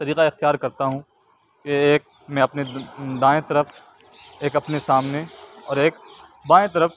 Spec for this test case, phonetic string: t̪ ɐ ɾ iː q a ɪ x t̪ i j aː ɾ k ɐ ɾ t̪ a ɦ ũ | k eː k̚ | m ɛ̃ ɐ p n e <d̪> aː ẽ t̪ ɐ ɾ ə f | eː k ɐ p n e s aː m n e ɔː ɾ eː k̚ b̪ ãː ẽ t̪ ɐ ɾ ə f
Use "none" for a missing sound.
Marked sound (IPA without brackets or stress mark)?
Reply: d̪